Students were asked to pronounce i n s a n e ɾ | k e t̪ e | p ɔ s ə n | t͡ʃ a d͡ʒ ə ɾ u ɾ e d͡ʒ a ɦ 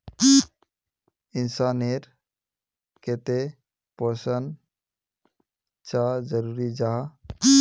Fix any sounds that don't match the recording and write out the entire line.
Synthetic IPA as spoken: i n s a n e ɾ | k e t̪ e | p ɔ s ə n | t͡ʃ a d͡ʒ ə ɾ u ɾ i d͡ʒ a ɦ